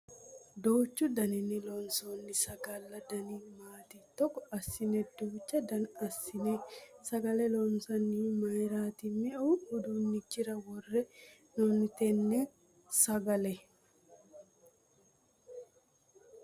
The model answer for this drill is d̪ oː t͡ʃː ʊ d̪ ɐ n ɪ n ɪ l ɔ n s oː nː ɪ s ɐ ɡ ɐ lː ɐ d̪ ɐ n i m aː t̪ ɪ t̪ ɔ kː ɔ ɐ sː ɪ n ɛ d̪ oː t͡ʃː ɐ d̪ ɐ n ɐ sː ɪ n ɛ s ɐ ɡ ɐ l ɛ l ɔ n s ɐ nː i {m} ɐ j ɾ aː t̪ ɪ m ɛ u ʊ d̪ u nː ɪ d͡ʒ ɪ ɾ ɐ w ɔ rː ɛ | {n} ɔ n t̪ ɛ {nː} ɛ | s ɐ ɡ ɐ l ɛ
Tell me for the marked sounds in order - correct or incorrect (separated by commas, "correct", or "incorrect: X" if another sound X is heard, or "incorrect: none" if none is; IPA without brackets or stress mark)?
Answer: correct, correct, correct